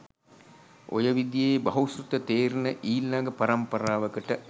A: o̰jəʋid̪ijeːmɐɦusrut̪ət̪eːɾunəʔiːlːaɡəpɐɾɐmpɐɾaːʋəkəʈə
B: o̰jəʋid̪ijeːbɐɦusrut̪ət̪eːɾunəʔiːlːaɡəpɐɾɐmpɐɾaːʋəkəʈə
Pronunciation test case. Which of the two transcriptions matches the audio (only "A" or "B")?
B